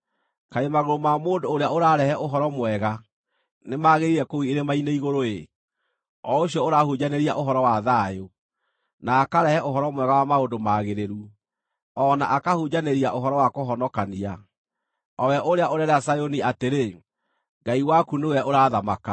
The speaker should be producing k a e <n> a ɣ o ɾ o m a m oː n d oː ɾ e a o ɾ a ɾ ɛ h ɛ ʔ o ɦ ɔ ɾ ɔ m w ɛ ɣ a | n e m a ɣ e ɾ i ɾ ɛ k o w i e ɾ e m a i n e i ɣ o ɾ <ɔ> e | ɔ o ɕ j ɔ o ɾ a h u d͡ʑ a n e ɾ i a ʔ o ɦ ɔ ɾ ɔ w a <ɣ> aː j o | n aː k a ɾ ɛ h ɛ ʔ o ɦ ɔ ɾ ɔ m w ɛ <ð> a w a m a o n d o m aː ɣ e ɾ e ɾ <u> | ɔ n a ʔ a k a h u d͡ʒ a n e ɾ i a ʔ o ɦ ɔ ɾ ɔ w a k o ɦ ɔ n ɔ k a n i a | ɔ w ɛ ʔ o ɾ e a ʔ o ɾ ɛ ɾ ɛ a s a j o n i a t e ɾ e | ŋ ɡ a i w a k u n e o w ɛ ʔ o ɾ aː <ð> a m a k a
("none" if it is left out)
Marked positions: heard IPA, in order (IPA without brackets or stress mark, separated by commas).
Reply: m, o, ð, ɣ, u, ð